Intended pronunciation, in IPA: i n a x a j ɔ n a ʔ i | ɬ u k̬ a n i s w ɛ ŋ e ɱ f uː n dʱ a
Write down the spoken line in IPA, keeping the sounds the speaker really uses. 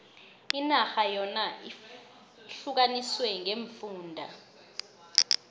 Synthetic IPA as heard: i n a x a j ɔ n a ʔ i | ɬ u k̬ a n i s w ɛ ŋ e ɱ f uː n dʱ a